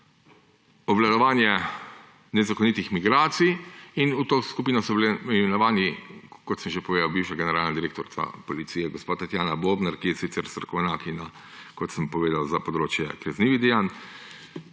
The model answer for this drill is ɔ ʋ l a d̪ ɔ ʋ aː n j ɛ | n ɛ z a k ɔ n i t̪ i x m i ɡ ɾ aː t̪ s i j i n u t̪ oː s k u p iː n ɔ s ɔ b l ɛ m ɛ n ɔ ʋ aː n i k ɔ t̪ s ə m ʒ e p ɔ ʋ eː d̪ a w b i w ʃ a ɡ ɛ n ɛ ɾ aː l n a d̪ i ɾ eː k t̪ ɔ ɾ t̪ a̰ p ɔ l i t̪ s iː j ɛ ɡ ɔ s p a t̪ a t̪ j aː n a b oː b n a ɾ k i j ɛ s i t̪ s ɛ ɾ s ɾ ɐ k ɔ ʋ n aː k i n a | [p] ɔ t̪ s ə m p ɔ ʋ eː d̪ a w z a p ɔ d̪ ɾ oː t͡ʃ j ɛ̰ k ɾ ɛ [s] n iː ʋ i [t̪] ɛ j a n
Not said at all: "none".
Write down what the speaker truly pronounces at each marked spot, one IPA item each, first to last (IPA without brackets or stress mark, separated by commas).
k, z, d̪